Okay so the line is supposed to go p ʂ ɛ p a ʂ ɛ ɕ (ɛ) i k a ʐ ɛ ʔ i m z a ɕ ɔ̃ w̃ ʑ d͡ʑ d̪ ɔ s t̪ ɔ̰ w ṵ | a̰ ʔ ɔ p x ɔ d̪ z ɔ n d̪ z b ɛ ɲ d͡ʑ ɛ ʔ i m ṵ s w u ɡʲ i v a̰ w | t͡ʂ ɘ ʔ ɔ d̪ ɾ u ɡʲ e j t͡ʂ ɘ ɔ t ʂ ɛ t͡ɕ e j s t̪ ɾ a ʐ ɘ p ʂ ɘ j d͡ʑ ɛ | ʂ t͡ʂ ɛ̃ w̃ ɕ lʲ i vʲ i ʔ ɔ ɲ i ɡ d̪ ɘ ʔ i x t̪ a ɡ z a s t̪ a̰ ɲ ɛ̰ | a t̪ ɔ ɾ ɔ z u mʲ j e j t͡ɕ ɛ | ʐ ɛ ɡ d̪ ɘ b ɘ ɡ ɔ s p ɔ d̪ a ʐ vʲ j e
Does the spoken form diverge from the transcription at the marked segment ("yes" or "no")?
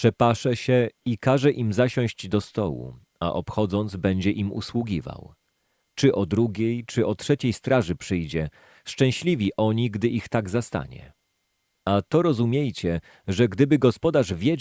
no